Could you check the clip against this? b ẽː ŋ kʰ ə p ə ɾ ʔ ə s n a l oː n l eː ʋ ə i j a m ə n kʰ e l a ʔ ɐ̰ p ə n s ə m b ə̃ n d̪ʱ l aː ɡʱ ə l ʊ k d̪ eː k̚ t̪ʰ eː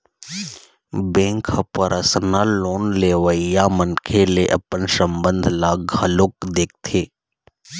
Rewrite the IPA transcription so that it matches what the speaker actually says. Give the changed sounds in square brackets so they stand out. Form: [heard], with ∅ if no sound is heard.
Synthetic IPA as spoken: b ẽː ŋ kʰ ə p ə ɾ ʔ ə s n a l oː n l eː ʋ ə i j a m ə n kʰ e l [e] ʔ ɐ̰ p ə n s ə m b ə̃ n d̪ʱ l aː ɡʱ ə l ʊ k d̪ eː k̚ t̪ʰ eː